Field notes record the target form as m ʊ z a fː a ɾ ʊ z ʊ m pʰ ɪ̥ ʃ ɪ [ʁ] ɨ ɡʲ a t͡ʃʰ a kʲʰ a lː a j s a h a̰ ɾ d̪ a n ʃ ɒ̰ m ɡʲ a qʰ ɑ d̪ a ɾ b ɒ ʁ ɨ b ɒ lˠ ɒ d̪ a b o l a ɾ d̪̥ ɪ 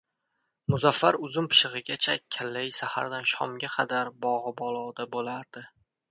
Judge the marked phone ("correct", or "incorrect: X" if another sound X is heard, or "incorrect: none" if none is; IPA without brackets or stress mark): correct